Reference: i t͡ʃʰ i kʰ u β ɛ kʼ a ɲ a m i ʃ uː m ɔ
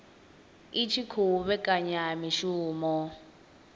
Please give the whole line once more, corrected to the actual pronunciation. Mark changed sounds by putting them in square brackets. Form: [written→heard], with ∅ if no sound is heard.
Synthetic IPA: i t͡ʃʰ i kʰ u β ɛ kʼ a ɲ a m i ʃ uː m ɔ